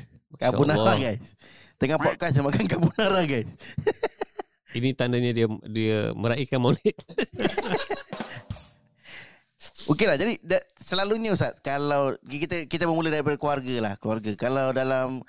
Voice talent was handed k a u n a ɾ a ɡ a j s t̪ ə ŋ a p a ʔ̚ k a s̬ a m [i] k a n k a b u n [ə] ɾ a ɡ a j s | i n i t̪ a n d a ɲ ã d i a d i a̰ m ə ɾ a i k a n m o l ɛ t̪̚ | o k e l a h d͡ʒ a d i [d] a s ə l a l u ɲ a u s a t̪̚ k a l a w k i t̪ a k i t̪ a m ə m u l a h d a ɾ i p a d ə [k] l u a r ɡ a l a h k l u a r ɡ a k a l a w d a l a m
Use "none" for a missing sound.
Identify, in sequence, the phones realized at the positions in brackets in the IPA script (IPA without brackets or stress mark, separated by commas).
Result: a, a, d, k